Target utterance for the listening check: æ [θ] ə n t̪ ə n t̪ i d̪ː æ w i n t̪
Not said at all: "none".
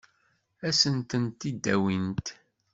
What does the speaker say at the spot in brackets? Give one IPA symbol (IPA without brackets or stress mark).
s